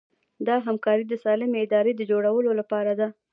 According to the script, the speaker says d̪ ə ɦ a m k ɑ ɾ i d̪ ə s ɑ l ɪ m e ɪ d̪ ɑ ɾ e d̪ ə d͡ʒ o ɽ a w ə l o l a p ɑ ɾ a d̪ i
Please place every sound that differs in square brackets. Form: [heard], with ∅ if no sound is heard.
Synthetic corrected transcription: d̪ [ɑ] ɦ a m k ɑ ɾ i d̪ ə s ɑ l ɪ m e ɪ d̪ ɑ ɾ e d̪ ə d͡ʒ o ɽ a w ə l o l a p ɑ ɾ a d̪ [a]